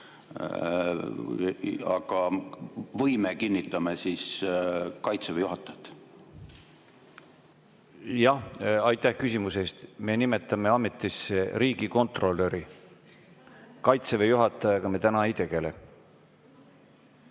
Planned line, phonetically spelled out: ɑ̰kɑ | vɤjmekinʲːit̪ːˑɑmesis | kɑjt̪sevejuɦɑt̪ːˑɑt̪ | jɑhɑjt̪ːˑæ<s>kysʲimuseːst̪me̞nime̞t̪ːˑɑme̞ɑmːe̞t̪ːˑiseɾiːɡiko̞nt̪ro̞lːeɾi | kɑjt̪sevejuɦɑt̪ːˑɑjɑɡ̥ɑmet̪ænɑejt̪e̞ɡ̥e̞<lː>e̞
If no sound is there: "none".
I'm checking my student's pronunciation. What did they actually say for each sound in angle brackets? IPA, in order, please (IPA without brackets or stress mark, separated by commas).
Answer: h, l